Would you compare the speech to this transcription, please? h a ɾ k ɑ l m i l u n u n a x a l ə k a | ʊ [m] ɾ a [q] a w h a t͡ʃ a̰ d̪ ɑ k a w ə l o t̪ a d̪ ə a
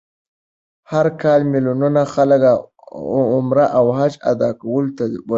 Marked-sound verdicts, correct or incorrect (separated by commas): correct, incorrect